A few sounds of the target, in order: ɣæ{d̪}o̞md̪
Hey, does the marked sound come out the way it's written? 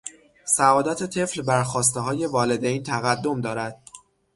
no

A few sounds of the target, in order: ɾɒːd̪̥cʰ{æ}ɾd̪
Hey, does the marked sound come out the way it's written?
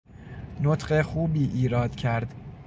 yes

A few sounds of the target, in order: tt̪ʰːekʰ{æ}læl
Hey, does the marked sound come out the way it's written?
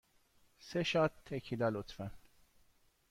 no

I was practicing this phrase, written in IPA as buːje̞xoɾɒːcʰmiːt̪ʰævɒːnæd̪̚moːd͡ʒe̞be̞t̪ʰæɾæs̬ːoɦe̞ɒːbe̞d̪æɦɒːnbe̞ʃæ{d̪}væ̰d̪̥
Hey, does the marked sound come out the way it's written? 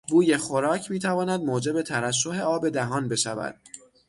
no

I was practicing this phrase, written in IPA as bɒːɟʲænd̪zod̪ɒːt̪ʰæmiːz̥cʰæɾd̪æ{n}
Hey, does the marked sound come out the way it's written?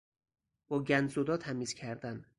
yes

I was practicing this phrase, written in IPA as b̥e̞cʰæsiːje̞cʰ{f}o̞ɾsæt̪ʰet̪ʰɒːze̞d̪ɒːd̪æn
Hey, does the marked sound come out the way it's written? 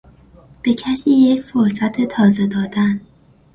yes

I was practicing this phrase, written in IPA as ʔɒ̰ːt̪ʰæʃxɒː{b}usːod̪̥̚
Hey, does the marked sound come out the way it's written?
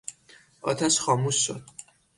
no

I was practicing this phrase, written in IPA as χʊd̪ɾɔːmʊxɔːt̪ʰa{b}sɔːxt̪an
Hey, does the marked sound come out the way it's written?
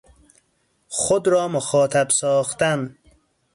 yes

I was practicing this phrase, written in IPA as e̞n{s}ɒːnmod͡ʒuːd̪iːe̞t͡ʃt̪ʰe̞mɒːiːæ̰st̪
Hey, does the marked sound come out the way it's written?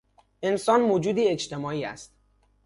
yes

